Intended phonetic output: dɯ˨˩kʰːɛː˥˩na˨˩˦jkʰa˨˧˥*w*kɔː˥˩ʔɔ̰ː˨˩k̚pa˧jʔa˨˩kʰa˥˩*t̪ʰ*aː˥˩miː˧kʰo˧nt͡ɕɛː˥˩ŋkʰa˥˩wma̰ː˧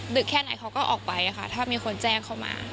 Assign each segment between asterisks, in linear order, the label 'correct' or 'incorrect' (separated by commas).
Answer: correct, correct